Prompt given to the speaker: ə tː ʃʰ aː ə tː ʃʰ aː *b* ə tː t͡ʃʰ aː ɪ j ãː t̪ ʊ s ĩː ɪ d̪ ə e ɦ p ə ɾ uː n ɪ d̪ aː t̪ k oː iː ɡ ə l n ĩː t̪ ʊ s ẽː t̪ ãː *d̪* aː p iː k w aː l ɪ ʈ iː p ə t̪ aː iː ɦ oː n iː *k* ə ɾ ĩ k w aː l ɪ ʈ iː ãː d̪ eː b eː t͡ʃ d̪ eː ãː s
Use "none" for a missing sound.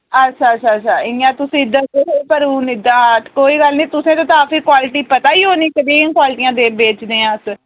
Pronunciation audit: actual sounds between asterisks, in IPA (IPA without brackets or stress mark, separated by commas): none, t̪, k